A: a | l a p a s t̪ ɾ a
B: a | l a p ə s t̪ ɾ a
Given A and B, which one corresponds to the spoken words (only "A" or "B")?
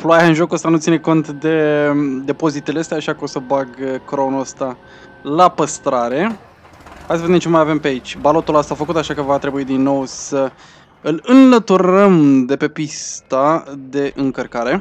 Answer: B